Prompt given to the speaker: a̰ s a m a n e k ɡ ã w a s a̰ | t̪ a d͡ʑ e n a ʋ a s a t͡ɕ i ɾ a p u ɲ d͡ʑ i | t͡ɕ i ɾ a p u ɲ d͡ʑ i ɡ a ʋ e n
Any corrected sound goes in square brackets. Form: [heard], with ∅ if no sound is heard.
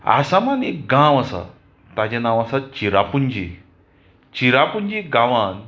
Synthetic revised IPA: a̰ s a m a n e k ɡ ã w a s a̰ | t̪ a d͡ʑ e n a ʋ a s a t͡ɕ i ɾ a p u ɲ d͡ʑ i | t͡ɕ i ɾ a p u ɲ d͡ʑ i ɡ a ʋ [a] n